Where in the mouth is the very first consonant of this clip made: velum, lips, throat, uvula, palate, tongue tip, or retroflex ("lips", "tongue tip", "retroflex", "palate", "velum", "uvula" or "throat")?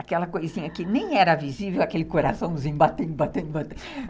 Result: velum